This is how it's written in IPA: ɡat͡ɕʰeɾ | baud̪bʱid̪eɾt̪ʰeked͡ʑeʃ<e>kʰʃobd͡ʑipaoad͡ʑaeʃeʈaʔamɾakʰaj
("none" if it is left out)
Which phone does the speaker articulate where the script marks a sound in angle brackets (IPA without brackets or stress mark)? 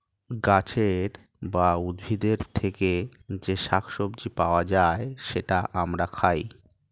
a